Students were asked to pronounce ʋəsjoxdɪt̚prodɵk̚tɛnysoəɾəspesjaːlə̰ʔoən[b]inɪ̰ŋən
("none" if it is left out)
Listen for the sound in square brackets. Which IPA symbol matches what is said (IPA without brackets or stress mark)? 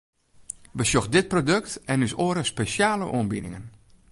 b